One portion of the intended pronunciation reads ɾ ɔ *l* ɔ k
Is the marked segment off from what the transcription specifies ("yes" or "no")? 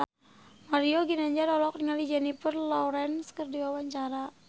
no